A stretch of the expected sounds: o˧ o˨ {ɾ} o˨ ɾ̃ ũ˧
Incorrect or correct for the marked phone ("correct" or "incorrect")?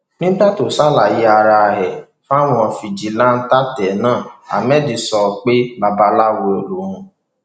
incorrect